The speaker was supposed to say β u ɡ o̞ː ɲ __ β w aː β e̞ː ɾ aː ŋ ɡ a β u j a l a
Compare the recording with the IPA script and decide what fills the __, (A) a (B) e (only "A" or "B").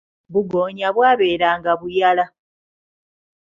A